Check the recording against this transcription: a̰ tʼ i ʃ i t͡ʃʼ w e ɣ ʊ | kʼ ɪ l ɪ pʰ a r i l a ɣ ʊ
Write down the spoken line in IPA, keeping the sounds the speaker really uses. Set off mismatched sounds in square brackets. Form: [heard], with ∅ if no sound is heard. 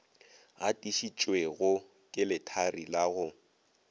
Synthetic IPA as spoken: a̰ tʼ i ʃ i t͡ʃʼ w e ɣ ʊ | kʼ ɪ l ɪ [tʰ] a r i l a ɣ ʊ

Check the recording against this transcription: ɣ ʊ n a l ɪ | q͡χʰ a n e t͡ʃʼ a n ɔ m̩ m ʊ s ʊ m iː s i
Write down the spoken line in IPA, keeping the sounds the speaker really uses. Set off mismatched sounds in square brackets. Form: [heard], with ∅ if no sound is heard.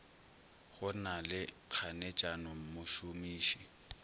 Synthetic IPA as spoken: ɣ ʊ n a l ɪ | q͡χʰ a n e t͡ʃʼ a n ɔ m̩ m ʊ [ʃ] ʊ m iː [ʃ] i

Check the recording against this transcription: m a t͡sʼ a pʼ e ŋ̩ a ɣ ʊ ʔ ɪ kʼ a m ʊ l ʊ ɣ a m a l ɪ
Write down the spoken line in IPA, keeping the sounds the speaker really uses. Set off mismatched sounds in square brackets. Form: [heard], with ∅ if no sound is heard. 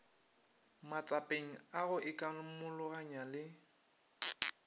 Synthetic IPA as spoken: m a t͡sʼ a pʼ e ŋ̩ a ɣ ʊ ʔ ɪ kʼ a m ʊ l ʊ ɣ a [ɲ] a l ɪ

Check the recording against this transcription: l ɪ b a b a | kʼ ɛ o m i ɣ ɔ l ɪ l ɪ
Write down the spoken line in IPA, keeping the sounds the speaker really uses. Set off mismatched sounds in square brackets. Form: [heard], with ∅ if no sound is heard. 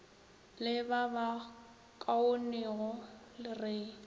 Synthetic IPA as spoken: l ɪ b a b a | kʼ [a] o [n] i ɣ ɔ l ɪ [r] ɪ

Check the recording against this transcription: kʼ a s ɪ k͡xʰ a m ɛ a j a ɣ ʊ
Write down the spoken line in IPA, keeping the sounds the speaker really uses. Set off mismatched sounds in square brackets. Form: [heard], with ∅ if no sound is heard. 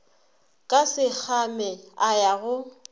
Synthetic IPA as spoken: kʼ a s ɪ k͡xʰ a m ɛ a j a ɣ ʊ

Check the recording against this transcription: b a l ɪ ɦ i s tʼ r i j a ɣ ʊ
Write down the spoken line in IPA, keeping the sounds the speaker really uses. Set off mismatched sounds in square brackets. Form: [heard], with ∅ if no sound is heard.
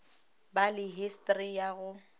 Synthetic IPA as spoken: b a l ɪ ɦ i s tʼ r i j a ɣ ʊ

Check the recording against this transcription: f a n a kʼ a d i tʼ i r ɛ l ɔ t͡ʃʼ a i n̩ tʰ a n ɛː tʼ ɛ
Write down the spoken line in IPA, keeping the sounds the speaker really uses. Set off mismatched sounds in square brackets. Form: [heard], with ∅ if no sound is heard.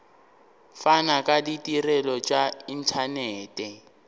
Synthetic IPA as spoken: f a n a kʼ a d i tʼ i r ɛ l ɔ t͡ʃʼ a i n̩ tʰ a n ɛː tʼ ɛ

